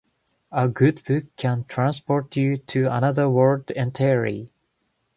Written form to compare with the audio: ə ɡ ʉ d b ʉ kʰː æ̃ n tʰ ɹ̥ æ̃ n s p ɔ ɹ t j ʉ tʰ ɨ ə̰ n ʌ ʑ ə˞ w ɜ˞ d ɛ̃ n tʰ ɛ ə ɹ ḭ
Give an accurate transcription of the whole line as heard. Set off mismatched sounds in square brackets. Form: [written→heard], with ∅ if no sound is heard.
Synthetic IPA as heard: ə ɡ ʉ d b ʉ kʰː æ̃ n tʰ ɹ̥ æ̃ n s p ɔ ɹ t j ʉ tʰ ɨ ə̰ n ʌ [ʑ→ð] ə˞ w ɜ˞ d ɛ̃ n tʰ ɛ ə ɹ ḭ